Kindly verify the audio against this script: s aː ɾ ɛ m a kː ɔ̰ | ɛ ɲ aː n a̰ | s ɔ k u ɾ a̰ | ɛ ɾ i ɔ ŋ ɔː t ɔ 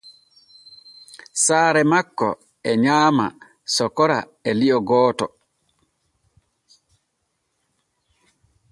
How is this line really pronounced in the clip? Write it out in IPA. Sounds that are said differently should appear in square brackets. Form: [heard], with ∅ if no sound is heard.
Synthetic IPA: s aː ɾ ɛ m a kː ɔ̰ | ɛ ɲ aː [m] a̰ | s ɔ k [ɔ] ɾ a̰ | ɛ [l] i ɔ [ɡ] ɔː t ɔ